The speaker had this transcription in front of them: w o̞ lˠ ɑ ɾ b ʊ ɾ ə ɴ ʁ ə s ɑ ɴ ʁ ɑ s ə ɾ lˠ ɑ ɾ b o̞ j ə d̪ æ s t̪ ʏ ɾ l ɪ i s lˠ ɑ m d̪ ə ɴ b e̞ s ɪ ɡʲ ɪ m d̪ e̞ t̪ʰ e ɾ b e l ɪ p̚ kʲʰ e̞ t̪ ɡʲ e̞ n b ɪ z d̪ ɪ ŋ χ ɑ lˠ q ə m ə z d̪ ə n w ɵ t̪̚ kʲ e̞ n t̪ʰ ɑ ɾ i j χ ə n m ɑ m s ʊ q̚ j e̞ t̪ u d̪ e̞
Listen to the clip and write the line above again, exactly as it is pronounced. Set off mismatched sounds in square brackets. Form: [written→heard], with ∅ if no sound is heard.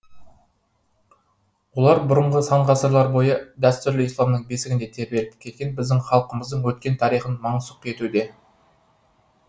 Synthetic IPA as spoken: w o̞ lˠ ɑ ɾ b ʊ ɾ ə ɴ ʁ ə s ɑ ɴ ʁ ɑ s ə ɾ lˠ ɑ ɾ b o̞ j ə d̪ æ s t̪ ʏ ɾ l ɪ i s lˠ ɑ m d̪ ə ɴ b e̞ s ɪ ɡʲ ɪ [m→n] d̪ e̞ t̪ʰ e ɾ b e l ɪ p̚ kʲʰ e̞ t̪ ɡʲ e̞ n b ɪ z d̪ ɪ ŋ χ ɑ lˠ q ə m ə z d̪ ə [n→ɴ] w ɵ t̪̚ kʲ e̞ n t̪ʰ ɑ ɾ i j χ ə n m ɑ [m→ɴ] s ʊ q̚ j e̞ t̪ u d̪ e̞